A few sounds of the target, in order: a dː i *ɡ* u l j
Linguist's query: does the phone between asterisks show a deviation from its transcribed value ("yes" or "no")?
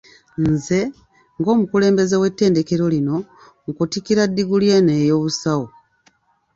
no